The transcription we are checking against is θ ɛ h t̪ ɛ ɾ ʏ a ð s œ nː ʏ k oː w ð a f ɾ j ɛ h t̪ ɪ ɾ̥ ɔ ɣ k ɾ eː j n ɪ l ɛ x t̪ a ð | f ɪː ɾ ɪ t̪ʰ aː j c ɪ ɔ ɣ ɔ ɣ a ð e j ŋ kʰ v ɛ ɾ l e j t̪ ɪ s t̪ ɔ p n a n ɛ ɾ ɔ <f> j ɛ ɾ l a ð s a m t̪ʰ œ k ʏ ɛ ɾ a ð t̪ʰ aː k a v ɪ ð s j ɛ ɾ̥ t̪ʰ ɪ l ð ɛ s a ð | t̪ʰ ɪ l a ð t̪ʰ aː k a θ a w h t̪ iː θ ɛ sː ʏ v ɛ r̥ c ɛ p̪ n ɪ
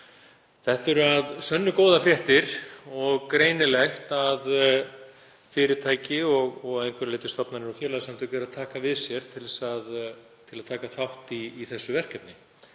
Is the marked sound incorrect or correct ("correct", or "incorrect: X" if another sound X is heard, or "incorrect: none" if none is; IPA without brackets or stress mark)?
correct